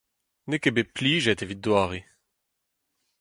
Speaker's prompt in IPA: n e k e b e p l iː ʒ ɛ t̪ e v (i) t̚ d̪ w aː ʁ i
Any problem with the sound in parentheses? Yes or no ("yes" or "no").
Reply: no